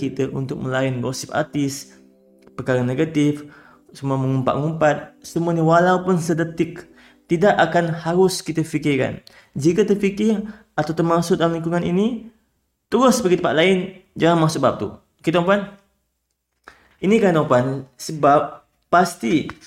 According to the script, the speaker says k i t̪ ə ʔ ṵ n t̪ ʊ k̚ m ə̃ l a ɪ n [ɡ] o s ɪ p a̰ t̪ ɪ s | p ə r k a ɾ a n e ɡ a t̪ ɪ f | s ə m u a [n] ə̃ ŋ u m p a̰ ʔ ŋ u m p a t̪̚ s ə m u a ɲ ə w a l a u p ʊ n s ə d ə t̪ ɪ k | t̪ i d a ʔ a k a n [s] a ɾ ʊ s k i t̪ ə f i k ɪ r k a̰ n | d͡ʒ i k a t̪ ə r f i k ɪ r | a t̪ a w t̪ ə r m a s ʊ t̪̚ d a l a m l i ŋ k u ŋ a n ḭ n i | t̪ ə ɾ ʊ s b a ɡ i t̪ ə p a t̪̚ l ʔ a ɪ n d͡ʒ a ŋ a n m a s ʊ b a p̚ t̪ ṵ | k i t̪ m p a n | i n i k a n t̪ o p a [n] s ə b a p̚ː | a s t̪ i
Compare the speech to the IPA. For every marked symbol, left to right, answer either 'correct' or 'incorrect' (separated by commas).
correct, incorrect, incorrect, correct